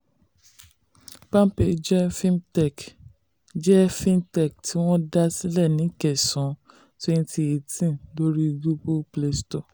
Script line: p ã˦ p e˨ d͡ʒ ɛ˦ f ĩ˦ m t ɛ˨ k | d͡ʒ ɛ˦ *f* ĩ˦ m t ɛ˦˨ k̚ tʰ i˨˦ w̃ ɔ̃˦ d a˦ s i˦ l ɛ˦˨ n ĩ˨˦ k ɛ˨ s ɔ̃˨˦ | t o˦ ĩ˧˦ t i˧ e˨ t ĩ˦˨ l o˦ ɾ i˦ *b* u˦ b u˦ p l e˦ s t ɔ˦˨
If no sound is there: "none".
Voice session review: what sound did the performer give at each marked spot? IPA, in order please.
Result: f, ɡ

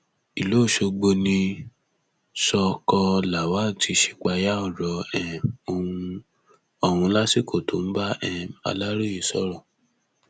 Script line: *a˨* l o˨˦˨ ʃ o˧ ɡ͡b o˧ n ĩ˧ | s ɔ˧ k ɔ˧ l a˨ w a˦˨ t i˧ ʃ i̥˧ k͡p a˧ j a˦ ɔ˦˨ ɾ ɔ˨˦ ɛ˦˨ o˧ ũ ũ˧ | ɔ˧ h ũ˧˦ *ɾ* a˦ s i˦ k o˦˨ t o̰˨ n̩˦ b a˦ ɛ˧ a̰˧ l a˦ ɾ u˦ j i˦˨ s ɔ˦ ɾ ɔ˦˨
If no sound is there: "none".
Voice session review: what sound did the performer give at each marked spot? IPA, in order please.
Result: i˨, l

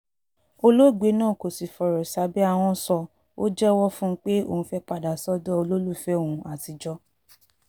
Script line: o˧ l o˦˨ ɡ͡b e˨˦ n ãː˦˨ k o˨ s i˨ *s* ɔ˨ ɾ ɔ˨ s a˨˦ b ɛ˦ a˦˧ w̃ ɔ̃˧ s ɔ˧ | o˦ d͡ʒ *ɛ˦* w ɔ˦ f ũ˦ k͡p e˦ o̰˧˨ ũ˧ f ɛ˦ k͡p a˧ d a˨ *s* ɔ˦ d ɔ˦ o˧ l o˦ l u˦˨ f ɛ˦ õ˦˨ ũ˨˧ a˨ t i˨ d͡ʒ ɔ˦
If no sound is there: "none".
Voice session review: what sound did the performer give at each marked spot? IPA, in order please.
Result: f, ɛ˦, s

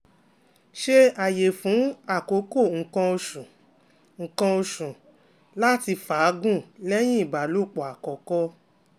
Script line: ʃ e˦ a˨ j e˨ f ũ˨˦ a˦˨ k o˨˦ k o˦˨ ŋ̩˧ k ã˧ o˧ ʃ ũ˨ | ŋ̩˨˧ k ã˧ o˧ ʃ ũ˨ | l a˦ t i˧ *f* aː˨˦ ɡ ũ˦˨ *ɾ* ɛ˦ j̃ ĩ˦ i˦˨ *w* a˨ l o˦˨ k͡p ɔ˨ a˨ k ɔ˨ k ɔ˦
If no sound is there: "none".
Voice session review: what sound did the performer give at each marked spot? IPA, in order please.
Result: f, l, b

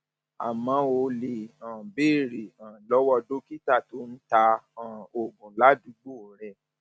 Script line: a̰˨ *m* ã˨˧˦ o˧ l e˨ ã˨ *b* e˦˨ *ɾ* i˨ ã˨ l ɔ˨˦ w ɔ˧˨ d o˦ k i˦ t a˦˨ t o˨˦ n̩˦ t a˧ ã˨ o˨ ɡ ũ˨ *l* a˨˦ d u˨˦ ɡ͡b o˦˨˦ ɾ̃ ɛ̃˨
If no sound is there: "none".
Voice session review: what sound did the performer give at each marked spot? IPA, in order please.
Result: m, b, ɾ, l

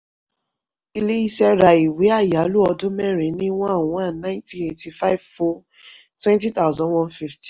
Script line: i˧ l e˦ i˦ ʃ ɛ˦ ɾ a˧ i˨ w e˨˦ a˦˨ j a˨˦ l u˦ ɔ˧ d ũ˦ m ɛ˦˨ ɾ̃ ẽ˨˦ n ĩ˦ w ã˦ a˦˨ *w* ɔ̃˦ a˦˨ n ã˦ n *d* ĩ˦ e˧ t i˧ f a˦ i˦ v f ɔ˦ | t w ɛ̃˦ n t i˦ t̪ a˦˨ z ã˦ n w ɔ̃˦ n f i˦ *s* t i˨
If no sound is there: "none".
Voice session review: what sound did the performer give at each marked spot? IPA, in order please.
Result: w, t, f

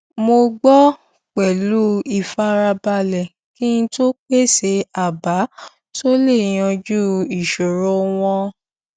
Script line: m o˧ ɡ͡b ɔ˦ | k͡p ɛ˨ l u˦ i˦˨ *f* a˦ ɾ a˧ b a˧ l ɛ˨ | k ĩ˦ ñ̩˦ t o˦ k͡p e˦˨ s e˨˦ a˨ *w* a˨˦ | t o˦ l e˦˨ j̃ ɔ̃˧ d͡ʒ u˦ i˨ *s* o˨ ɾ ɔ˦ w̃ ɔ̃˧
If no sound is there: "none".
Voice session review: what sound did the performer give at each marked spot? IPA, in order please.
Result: f, b, ʃ

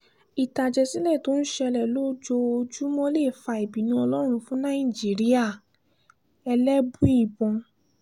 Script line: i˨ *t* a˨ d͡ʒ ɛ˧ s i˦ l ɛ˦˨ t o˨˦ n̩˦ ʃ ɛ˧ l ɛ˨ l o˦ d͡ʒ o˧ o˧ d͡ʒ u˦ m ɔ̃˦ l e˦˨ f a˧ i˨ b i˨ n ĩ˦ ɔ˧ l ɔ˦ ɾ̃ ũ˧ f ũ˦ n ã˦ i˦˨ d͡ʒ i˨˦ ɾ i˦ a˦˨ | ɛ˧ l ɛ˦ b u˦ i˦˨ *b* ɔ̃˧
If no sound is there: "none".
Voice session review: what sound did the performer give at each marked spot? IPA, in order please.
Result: t, b

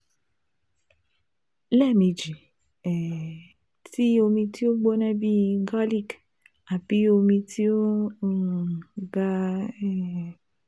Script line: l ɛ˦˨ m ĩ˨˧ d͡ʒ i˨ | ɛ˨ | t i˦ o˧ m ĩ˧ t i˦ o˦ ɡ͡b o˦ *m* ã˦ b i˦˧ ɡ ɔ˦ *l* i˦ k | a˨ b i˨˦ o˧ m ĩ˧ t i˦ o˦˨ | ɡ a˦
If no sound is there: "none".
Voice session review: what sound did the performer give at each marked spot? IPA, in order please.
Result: n, l

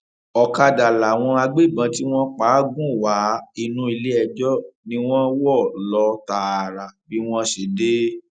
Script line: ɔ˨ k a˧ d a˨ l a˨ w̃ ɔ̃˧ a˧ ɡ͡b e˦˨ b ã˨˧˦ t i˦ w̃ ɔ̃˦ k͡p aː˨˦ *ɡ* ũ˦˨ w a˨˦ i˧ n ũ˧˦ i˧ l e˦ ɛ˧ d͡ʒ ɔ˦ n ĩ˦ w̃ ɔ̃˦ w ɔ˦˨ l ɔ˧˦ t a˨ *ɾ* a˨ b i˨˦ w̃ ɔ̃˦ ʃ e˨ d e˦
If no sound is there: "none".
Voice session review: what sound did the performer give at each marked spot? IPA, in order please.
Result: ɡ, ɾ

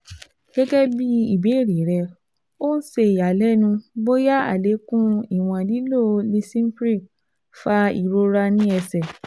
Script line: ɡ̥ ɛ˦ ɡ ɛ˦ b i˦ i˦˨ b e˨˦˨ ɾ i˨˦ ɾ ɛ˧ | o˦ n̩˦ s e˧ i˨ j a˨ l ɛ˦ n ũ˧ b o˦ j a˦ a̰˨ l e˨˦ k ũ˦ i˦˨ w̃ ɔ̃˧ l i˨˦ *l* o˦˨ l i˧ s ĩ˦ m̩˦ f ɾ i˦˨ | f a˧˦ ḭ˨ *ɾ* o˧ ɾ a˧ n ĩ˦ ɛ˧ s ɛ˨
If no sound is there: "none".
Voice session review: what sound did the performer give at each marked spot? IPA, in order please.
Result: l, ɾ

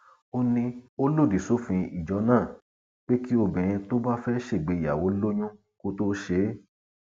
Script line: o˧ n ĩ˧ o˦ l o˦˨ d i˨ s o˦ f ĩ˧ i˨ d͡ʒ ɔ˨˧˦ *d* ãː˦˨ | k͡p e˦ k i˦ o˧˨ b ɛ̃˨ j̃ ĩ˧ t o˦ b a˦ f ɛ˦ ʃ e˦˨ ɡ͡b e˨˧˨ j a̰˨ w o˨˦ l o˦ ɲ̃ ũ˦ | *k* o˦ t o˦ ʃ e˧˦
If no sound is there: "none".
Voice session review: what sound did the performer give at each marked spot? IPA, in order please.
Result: n, k

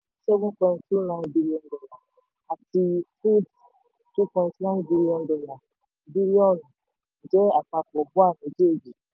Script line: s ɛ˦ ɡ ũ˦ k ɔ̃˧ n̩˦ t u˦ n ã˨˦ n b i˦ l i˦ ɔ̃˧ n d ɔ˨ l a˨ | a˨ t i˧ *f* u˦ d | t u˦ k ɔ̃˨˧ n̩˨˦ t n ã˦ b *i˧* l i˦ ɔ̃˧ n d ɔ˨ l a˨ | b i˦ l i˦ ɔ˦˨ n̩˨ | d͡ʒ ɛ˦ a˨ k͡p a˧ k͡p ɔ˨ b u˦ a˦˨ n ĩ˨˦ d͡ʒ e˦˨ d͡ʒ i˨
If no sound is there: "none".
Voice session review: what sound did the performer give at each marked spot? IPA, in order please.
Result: f, i˧

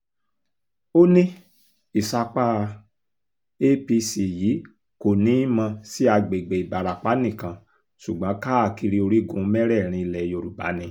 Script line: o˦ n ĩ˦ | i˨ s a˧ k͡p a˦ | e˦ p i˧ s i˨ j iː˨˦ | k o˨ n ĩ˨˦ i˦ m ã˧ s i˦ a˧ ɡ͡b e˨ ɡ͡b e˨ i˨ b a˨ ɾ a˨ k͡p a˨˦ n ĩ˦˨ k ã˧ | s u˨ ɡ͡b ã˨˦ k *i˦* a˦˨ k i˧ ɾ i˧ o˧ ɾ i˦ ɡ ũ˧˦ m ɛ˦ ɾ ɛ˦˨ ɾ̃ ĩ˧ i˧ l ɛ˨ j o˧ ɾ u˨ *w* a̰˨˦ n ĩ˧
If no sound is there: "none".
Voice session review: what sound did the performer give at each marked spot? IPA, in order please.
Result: a˦, b

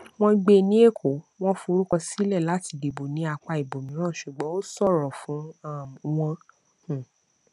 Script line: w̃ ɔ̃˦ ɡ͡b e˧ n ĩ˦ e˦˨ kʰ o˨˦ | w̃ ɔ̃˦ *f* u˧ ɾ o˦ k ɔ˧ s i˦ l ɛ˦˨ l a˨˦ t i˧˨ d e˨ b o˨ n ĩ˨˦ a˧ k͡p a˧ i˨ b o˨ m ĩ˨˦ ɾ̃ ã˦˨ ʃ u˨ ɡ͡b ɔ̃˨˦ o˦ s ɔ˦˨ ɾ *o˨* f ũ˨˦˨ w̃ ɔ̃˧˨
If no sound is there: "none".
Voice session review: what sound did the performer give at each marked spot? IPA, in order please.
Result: f, ɔ˨

